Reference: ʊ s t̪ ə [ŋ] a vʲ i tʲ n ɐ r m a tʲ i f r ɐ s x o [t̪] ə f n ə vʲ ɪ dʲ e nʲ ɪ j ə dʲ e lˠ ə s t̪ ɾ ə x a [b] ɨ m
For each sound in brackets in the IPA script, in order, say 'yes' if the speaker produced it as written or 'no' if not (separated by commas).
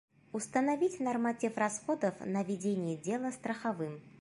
no, no, no